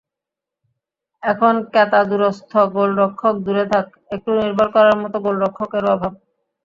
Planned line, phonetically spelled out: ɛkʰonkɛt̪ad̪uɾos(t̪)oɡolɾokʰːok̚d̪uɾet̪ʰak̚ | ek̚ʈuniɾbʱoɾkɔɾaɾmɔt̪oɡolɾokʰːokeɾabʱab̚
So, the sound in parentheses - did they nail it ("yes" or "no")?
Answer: no